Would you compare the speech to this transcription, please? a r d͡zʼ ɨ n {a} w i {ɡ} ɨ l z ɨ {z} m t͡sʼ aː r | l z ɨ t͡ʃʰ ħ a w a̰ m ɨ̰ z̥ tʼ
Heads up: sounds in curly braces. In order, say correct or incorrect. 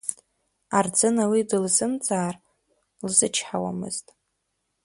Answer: correct, incorrect, incorrect

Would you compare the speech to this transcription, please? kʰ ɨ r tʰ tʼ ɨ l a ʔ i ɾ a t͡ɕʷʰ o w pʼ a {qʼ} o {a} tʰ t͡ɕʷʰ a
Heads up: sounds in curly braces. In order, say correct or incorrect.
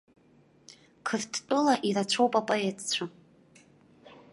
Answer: incorrect, incorrect

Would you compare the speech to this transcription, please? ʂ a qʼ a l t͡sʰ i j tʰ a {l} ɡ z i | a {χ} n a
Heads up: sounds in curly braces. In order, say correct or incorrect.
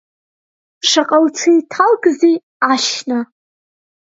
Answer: correct, incorrect

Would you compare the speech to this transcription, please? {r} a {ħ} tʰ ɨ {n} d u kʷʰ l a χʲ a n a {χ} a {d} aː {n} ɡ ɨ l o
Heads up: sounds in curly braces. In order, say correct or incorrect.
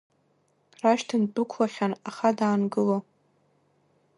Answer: correct, incorrect, correct, correct, correct, correct

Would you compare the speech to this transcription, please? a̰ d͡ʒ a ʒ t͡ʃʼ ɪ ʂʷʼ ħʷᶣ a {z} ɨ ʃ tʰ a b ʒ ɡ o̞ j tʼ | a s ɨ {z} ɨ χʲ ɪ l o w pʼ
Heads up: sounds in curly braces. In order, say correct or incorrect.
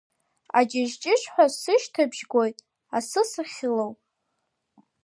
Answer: incorrect, incorrect

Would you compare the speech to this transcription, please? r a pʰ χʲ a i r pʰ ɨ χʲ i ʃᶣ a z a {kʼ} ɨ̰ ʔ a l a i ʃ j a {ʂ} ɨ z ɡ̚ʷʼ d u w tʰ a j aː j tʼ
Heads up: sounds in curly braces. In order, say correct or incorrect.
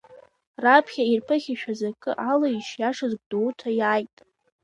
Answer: correct, correct

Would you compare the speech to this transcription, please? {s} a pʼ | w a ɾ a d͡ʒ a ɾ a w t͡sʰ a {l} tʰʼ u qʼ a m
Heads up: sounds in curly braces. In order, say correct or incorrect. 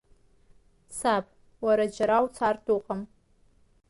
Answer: correct, incorrect

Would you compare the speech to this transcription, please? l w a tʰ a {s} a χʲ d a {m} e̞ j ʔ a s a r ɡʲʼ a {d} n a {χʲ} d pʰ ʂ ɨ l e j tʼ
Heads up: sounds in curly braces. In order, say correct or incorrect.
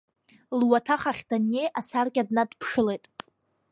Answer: incorrect, incorrect, correct, incorrect

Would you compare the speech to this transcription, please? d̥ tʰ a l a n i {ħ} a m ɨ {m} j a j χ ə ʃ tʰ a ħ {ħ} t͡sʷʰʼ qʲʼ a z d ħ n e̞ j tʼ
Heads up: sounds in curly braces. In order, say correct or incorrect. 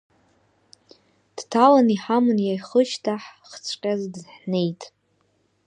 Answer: correct, incorrect, incorrect

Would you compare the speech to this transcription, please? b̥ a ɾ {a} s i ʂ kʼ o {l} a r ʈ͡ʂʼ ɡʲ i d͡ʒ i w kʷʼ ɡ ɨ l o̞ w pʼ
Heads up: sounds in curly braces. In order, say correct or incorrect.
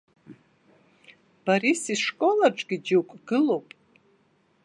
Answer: incorrect, correct

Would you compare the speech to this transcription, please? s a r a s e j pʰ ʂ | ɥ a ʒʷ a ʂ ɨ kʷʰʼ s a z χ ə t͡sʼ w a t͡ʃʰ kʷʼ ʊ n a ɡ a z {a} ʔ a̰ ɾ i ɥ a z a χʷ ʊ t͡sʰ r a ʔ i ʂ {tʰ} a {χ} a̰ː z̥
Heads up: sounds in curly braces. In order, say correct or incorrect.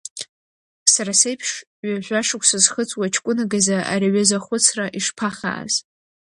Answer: correct, incorrect, correct

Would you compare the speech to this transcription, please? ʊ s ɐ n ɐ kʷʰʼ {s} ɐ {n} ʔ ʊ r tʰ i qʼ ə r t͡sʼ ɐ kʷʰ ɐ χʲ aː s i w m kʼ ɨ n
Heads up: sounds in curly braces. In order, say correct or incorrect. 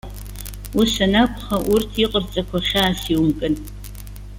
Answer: incorrect, incorrect

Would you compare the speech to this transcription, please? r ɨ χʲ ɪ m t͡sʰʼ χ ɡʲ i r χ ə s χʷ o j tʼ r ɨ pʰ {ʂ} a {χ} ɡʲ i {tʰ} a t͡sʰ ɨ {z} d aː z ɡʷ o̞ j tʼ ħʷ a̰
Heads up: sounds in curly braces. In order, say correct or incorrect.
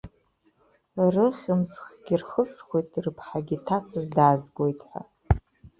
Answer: incorrect, incorrect, correct, correct

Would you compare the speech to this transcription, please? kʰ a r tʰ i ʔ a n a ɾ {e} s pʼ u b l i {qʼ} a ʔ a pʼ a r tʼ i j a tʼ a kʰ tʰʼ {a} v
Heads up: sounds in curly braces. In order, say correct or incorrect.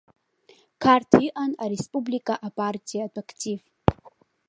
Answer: correct, incorrect, incorrect

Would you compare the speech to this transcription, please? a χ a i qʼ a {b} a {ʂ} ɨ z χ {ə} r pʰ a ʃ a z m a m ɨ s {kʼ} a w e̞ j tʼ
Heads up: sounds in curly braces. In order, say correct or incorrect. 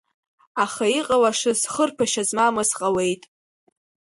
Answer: incorrect, correct, correct, incorrect

